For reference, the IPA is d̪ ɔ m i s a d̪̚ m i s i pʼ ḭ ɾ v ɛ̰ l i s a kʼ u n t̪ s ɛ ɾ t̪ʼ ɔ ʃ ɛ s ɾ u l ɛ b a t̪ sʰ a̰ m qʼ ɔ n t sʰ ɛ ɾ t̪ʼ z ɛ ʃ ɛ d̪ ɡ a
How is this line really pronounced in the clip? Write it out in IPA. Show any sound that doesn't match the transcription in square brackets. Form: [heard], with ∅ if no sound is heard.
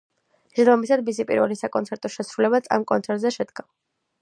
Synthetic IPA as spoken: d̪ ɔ m i s a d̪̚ m i s i pʼ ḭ ɾ v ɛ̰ l i s a kʼ [ɔ] n t̪ s ɛ ɾ t̪ʼ ɔ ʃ ɛ s ɾ u l ɛ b a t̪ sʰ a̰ m [kʼ] ɔ n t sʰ ɛ ɾ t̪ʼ z ɛ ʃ ɛ d̪ ɡ a